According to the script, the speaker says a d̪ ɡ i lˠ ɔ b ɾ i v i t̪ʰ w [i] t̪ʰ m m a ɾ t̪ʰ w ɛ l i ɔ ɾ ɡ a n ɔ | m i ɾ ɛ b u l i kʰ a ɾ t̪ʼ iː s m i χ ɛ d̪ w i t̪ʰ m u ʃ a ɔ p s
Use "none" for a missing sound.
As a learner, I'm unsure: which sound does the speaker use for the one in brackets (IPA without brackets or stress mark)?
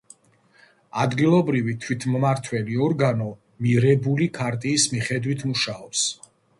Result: i